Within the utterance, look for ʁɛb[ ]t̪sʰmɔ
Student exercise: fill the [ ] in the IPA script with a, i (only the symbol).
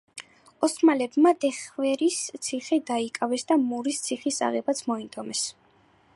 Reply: a